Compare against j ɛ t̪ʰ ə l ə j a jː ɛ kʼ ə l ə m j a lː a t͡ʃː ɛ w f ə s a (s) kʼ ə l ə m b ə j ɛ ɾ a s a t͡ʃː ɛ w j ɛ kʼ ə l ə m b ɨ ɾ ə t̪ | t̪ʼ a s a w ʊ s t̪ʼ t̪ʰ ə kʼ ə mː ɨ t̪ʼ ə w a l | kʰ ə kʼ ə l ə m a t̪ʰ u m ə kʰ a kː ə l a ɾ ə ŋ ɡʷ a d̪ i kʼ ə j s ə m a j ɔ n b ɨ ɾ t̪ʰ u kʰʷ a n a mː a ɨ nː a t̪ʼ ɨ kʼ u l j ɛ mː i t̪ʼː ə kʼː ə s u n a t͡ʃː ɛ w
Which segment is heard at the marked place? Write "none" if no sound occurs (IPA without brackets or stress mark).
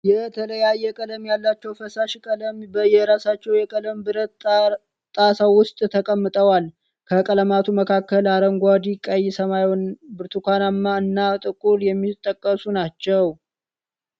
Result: ʃ